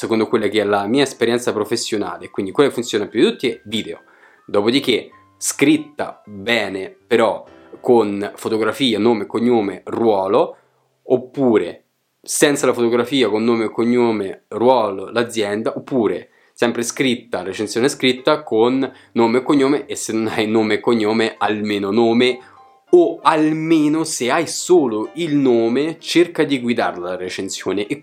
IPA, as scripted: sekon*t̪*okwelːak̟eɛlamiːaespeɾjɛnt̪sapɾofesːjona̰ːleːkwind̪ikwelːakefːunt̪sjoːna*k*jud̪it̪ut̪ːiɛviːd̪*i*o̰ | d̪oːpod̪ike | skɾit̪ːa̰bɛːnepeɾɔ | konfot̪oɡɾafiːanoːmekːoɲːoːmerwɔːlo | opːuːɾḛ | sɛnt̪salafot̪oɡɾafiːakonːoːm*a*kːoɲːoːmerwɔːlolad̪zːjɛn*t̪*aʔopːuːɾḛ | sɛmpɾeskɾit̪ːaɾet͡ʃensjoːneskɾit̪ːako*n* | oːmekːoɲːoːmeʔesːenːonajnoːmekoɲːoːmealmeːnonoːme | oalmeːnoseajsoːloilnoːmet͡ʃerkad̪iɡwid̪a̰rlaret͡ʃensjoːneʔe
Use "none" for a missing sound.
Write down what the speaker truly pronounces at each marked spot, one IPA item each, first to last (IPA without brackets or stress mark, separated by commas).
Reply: d̪, p, e, e, d̪, nː